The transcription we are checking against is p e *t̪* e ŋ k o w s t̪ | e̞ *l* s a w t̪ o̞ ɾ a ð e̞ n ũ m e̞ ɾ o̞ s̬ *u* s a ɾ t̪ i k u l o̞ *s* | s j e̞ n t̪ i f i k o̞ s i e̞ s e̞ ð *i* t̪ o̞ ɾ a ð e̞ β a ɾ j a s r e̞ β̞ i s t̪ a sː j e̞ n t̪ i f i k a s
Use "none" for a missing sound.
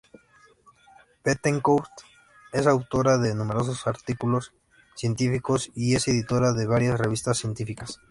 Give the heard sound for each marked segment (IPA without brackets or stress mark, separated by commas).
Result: t̪, none, o, s, i